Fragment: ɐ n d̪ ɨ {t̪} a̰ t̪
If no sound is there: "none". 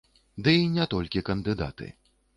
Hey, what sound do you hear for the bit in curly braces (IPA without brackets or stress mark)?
d̪